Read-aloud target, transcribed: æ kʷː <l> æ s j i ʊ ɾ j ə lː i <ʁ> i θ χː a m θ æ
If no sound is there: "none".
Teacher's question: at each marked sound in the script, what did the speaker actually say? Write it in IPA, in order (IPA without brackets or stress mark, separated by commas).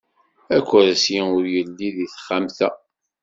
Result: ɾ, ð